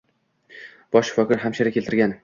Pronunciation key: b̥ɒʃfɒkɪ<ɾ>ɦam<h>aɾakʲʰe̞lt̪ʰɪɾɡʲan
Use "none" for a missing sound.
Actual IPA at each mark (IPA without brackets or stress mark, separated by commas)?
ɾ, ʃ